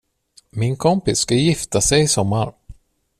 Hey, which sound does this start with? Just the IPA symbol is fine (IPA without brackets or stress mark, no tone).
m